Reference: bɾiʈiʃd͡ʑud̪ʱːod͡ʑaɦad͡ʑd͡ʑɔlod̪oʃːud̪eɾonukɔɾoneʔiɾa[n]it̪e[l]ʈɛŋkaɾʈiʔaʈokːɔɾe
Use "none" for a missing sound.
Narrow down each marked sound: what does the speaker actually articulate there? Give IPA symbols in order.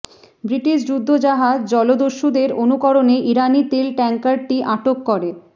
n, l

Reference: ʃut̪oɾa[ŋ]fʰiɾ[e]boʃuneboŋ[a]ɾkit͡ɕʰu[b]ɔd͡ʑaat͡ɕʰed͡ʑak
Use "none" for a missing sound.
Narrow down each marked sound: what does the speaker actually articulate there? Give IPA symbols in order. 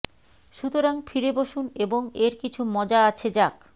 ŋ, e, e, m

